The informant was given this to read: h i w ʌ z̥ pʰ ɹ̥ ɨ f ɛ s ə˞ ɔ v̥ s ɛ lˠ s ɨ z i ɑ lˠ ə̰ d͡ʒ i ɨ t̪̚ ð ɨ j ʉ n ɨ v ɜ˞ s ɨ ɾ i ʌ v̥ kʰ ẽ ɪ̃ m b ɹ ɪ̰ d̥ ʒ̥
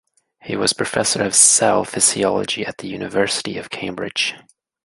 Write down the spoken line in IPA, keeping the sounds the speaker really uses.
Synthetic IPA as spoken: h i w ʌ z̥ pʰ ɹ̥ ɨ f ɛ s ə˞ ʌ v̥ s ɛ lˠ f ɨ z i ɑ lˠ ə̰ d͡ʒ i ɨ t̪̚ ð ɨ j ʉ n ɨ v ɜ˞ s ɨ ɾ i ʌ v̥ kʰ ẽ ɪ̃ m b ɹ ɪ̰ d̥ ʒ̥